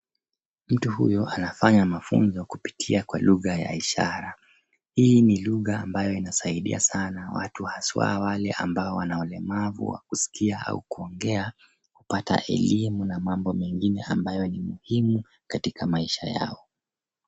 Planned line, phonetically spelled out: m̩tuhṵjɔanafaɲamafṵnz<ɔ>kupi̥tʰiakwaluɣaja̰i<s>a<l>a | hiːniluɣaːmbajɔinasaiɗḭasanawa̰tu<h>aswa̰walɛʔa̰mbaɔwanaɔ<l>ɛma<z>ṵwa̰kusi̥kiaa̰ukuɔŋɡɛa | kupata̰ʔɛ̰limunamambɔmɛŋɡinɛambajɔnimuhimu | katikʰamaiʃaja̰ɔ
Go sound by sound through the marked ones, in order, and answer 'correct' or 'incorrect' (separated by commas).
correct, incorrect, incorrect, correct, correct, incorrect